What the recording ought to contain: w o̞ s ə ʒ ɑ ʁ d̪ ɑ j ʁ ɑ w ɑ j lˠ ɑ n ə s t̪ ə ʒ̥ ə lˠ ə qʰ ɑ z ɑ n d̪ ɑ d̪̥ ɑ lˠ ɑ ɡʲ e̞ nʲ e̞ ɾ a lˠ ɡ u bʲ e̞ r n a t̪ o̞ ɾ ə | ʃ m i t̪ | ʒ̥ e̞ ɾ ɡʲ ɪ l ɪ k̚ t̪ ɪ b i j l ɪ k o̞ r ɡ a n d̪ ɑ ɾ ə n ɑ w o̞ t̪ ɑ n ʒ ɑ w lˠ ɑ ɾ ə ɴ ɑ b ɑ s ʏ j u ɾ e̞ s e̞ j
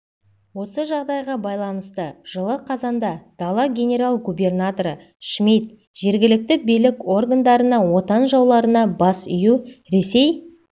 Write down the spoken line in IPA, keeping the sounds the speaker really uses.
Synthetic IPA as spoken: w o̞ s ə ʒ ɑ ʁ d̪ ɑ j ʁ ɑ b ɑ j lˠ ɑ n ə s t̪ ə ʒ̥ ə lˠ ə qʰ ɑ z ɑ n d̪ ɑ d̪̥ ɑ lˠ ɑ ɡʲ e̞ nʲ e̞ ɾ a lˠ ɡ u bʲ e̞ r n a t̪ o̞ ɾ ə | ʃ m i t̪ | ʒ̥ e̞ ɾ ɡʲ ɪ l ɪ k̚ t̪ ɪ b i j l ɪ k o̞ r ɡ a n d̪ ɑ ɾ ə n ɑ w o̞ t̪ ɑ n ʒ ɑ w lˠ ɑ ɾ ə n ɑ b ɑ s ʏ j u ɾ e̞ s e̞ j

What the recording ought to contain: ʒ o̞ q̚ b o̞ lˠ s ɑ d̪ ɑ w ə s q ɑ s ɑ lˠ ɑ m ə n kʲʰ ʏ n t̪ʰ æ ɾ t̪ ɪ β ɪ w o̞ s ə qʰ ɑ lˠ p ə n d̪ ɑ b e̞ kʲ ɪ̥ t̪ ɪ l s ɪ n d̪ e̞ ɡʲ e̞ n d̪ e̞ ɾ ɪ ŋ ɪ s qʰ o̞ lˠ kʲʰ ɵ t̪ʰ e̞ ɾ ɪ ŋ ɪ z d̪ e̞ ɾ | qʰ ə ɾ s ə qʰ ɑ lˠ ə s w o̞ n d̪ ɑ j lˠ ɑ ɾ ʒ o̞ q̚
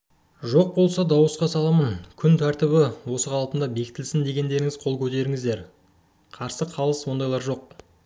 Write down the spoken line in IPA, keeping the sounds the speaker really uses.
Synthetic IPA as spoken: ʒ o̞ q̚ b o̞ lˠ s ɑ d̪ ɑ w ə s q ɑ s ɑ lˠ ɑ m ə n kʲʰ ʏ n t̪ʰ æ ɾ t̪ ɪ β ɪ w o̞ s ə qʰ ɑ lˠ p ə n d̪ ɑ b e̞ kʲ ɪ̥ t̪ ɪ l s ɪ n d̪ e̞ ɡʲ e̞ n d̪ e̞ ɾ ɪ ŋ ɪ z qʰ o̞ lˠ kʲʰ ɵ t̪ e̞ ɾ ɪ ŋ ɪ z d̪ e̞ ɾ | qʰ ɑ ɾ s ə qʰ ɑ lˠ ə s w o̞ n d̪ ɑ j lˠ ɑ ɾ ʒ o̞ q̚

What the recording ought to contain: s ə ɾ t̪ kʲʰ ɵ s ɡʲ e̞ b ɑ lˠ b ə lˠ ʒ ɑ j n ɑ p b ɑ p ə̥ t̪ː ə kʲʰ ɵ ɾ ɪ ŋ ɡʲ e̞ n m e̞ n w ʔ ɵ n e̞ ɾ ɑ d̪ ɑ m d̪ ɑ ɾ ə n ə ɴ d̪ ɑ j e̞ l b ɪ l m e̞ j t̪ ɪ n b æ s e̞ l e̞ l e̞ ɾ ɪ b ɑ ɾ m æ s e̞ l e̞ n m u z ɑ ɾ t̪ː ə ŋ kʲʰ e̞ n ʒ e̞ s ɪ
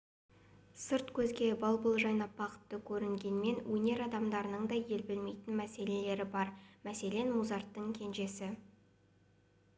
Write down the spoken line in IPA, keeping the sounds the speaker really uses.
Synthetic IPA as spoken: s ə ɾ t̪ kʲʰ ɵ z ɡʲ e̞ b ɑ lˠ b ə lˠ ʒ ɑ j n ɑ p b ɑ q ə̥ t̪ː ə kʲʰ ɵ ɾ ɪ ŋ ɡʲ e̞ n m e̞ n w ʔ ɵ n e̞ ɾ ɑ d̪ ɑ m d̪ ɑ ɾ ə n ə ɴ d̪ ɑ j e̞ l b ɪ l m e̞ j t̪ ɪ n m æ s e̞ l e̞ l e̞ ɾ ɪ b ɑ ɾ m æ s e̞ l e̞ n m u z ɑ ɾ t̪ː ə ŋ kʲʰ e̞ n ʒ e̞ s ɪ

